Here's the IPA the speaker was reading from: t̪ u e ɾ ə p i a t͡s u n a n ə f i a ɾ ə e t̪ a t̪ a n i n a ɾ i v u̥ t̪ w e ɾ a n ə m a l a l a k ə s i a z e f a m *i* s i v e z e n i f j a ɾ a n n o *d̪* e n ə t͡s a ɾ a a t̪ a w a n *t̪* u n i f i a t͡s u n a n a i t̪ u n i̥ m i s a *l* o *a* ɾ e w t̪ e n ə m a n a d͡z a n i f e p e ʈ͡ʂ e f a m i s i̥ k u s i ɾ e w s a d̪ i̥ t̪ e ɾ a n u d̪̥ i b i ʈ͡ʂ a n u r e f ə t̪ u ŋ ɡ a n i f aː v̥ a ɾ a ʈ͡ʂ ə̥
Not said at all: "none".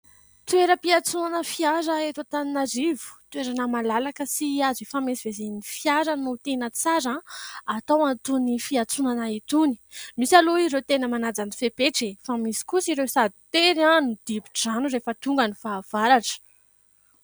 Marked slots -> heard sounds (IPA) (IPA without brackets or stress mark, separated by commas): e, t̪, t̪, l, i